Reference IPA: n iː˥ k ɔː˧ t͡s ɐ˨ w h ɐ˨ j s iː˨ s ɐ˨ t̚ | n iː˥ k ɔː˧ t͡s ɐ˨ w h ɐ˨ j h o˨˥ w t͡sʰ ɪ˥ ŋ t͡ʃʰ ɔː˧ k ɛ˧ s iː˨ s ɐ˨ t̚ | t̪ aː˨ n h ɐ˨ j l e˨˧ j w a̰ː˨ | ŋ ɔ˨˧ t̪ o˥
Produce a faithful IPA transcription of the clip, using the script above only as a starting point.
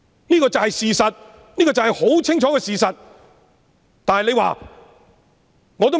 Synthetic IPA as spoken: n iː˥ k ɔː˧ t͡s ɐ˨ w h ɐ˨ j s iː˨ s ɐ˨ t̚ | n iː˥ k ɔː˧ t͡s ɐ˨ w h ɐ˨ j h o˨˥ w t͡sʰ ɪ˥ ŋ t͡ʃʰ ɔː˨˥ k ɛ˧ s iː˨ s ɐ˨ t̚ | t̪ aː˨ n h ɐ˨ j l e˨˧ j w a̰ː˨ | ŋ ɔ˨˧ t̪ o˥